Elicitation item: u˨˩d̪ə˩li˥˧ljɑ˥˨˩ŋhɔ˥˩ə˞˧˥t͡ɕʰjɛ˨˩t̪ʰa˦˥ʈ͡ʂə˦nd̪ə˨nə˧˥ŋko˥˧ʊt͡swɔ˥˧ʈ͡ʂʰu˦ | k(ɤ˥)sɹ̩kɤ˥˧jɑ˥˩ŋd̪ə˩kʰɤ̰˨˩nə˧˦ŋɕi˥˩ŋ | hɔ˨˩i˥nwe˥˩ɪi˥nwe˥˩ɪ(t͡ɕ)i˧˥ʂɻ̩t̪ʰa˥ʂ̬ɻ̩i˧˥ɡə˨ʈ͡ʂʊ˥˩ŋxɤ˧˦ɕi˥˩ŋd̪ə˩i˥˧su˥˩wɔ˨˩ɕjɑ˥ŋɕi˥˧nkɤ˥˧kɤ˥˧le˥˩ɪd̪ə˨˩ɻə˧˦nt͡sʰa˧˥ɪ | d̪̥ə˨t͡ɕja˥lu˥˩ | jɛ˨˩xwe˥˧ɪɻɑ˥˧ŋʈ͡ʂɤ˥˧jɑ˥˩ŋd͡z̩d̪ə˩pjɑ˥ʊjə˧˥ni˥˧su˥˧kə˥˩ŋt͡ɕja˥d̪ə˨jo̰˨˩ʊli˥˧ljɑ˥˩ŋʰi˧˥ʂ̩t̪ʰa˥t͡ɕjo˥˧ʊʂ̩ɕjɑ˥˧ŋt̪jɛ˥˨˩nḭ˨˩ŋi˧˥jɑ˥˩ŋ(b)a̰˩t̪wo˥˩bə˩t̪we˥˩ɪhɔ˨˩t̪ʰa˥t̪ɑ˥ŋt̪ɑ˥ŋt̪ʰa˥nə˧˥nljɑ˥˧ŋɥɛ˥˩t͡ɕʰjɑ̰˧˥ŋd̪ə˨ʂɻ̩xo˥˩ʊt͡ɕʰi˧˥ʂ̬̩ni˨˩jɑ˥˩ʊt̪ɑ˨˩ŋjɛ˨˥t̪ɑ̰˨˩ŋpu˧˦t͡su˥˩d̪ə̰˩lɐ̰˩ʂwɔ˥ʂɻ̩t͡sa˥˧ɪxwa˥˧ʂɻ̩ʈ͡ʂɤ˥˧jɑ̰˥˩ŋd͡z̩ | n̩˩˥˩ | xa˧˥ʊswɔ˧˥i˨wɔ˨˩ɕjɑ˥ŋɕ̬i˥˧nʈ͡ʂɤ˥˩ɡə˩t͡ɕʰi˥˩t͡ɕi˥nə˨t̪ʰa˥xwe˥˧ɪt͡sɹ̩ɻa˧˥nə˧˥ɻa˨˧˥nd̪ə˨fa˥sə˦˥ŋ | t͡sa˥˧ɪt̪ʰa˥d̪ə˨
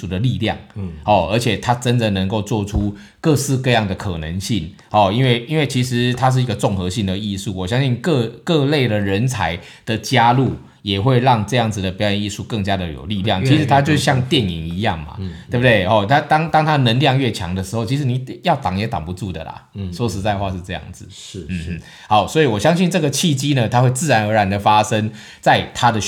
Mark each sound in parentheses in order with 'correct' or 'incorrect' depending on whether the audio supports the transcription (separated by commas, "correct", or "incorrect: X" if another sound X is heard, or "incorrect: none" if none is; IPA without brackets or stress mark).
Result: incorrect: ɤ˥˧, incorrect: t͡ɕʰ, incorrect: m